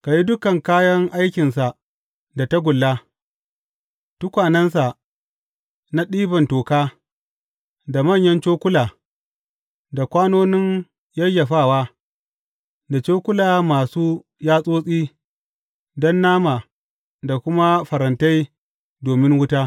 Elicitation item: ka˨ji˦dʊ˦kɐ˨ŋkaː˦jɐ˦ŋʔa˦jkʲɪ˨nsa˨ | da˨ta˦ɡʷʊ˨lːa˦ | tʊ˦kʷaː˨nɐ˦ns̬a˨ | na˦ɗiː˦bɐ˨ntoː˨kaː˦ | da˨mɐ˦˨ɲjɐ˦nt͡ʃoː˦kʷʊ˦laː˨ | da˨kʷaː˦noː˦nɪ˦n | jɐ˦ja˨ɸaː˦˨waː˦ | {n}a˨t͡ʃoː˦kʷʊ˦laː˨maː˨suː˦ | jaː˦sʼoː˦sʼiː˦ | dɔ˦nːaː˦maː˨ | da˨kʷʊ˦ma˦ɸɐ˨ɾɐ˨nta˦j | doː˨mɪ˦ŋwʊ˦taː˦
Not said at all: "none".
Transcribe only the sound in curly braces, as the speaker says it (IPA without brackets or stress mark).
d